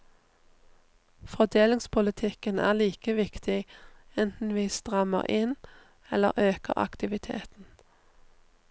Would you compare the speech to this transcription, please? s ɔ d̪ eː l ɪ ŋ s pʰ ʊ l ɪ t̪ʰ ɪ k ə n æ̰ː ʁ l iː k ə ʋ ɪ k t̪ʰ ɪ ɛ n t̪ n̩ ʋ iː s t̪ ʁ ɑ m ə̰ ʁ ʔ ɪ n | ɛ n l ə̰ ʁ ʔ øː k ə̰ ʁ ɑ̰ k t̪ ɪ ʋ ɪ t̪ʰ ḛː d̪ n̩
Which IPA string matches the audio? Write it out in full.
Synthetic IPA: f ɔ d̪ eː l ɪ ŋ s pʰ ʊ l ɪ t̪ʰ ɪ k ə n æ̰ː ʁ l iː k ə ʋ ɪ k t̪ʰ ɪ ɛ n t̪ n̩ ʋ iː s t̪ ʁ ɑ m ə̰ ʁ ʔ ɪ n | ɛ l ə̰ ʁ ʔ øː k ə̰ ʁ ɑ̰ k t̪ ɪ ʋ ɪ t̪ʰ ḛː t̪ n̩